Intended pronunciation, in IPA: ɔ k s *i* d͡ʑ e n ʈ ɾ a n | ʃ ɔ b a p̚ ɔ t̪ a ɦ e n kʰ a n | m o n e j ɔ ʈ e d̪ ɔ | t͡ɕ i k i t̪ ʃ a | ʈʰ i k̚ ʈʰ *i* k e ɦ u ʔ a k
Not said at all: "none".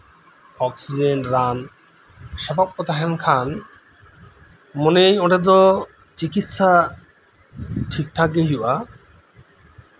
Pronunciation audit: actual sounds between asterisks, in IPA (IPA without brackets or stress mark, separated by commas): i, a